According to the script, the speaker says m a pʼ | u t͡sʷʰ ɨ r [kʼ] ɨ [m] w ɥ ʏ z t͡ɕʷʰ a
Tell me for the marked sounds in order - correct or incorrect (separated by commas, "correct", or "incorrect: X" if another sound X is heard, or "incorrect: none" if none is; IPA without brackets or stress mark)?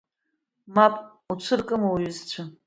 correct, correct